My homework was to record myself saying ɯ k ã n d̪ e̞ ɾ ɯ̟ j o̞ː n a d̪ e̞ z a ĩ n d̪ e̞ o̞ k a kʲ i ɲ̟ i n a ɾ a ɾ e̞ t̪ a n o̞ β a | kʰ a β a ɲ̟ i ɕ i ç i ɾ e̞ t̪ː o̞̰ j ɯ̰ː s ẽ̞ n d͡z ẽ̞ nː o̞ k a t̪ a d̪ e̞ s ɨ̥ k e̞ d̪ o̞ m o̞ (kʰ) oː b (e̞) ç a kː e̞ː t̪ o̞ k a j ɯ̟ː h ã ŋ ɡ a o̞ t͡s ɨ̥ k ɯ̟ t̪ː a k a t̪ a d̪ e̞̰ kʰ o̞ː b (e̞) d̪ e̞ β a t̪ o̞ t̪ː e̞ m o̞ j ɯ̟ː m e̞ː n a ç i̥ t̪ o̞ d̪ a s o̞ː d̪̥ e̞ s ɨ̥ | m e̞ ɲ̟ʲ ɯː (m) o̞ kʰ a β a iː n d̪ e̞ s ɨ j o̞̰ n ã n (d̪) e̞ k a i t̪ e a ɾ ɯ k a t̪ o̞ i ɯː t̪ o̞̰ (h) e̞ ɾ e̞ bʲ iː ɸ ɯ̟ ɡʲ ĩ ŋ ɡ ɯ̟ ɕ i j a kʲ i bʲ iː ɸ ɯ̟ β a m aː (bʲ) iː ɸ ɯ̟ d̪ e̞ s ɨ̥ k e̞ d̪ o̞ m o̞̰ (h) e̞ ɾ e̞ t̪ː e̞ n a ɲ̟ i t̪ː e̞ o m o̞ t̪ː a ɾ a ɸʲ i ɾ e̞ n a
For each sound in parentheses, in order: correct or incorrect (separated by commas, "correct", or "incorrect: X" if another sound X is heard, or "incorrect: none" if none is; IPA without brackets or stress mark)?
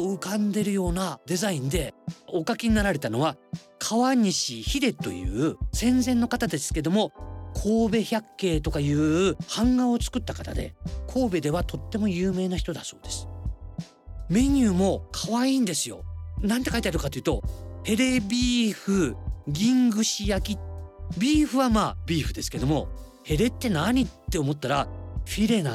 correct, correct, correct, correct, incorrect: t̪, correct, correct, correct